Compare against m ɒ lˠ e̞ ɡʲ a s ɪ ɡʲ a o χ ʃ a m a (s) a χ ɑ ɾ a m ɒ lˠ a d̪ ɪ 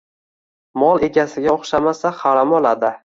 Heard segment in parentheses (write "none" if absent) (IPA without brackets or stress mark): s